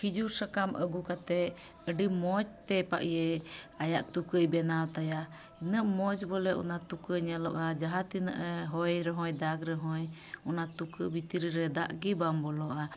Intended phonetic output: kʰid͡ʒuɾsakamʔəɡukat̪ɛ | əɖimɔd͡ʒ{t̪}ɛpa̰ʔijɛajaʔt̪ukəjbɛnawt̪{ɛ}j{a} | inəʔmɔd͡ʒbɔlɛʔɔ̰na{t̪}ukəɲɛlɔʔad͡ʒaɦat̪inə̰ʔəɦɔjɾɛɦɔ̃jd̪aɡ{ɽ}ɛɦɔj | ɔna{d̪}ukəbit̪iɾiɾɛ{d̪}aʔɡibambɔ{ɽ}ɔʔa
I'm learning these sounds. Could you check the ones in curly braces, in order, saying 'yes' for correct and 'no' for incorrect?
yes, no, yes, yes, no, no, yes, no

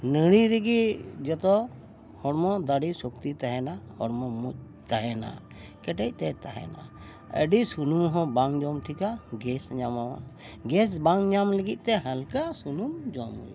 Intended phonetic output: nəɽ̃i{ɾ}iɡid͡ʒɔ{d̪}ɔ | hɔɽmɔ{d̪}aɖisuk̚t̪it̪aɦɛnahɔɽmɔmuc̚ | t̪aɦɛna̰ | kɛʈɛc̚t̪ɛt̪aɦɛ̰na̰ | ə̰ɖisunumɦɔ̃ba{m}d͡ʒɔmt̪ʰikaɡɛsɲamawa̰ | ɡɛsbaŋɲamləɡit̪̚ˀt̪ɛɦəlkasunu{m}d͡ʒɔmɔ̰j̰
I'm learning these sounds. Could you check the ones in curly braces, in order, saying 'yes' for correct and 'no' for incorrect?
yes, no, yes, no, yes

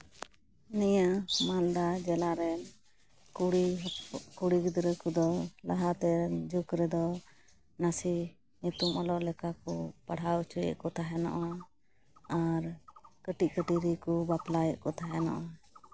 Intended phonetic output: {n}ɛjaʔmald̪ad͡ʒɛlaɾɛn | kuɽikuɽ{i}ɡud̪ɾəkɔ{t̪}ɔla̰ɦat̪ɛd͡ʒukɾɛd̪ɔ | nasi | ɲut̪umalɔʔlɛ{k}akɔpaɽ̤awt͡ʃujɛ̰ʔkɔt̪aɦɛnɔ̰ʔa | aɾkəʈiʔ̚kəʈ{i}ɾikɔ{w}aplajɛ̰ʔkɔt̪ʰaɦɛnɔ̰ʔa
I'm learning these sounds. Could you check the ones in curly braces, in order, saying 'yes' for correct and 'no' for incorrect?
yes, yes, no, yes, yes, no

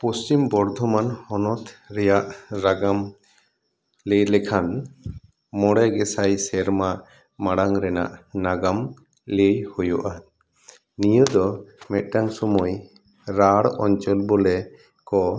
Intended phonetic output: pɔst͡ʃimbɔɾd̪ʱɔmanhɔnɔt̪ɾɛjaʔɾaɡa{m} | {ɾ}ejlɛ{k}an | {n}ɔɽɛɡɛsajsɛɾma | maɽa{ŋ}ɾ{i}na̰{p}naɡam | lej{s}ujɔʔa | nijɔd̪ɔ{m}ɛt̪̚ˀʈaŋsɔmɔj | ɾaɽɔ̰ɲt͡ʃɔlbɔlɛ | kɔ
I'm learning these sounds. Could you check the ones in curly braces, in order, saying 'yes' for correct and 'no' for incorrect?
yes, no, no, no, yes, no, no, no, yes

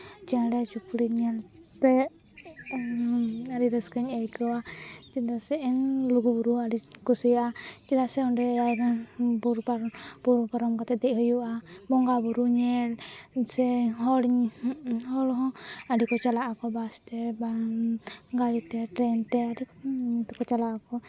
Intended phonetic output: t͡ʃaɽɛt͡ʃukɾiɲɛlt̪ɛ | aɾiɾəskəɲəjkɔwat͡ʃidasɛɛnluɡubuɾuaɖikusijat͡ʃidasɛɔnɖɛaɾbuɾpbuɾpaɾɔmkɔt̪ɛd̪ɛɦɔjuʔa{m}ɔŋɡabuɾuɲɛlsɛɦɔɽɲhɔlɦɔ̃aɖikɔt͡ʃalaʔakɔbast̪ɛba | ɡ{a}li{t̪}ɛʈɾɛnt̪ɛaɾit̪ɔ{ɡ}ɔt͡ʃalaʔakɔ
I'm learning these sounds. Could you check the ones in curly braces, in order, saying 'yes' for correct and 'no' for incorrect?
no, yes, yes, no

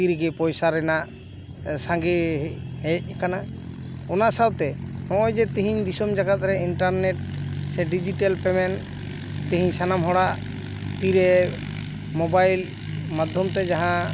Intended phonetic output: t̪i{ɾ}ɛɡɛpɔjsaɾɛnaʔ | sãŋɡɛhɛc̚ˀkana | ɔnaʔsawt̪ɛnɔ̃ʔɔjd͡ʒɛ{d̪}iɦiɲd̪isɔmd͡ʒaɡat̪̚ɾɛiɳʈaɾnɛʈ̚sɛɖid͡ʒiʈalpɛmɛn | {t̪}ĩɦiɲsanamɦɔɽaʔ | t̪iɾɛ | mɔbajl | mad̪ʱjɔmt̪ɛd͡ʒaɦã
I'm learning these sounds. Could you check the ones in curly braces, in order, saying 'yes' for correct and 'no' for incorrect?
yes, no, yes

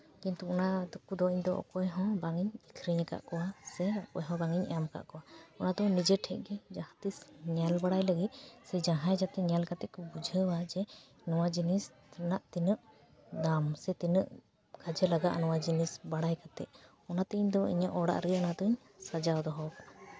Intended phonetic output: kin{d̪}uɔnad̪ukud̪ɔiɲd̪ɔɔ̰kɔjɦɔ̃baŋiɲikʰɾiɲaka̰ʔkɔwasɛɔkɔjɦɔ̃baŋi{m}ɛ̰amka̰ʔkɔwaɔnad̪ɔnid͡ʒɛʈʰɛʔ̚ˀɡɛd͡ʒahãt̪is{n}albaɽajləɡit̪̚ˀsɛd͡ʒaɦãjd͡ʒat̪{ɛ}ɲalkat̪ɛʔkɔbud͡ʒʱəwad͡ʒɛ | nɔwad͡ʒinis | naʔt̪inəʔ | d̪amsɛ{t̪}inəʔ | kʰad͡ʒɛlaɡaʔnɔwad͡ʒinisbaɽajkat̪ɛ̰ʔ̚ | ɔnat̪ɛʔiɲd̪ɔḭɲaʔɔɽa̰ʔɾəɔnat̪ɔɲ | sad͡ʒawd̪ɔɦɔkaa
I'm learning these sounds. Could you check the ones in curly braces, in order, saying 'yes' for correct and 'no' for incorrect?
no, no, no, yes, yes

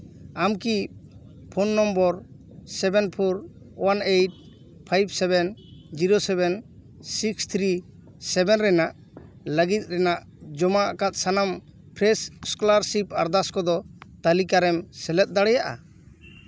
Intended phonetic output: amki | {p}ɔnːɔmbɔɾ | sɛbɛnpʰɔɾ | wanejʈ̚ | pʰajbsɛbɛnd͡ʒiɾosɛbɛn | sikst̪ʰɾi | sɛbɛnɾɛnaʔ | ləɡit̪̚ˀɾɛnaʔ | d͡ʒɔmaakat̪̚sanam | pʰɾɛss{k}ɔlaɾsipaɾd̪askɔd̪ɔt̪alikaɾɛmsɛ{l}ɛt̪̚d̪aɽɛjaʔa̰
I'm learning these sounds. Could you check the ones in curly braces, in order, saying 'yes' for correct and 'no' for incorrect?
no, yes, yes

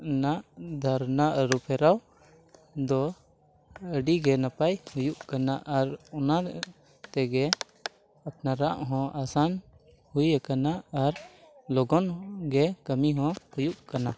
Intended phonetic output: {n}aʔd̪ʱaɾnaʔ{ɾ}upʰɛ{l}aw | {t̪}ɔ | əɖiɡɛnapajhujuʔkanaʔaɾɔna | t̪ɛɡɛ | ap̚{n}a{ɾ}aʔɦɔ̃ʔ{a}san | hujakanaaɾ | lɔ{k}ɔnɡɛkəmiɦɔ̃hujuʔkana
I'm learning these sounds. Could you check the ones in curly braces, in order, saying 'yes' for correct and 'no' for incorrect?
yes, yes, no, no, yes, yes, yes, no

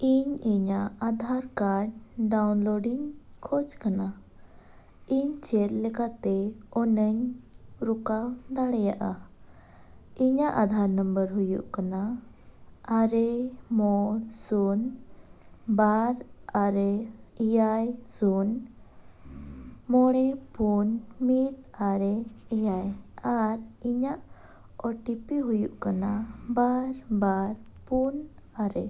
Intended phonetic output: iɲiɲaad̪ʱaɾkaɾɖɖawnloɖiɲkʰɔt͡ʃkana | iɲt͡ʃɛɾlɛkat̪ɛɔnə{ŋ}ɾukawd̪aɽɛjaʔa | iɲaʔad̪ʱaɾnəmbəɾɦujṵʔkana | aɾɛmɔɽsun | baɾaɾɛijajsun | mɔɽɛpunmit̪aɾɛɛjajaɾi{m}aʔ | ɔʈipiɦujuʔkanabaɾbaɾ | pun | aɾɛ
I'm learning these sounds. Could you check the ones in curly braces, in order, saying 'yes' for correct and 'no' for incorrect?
no, no

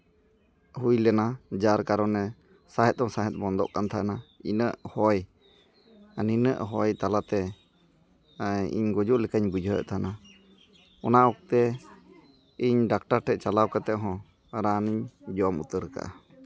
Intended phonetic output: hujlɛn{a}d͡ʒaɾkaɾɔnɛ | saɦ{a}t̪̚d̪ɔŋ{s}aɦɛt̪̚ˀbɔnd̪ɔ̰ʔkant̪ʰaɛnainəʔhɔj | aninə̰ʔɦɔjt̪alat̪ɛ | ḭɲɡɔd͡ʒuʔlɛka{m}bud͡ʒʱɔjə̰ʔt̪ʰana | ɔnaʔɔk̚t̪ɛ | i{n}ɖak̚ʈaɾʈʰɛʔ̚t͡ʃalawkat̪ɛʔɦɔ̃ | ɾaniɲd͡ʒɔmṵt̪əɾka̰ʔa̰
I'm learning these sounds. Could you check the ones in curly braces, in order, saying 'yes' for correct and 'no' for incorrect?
yes, no, yes, no, no

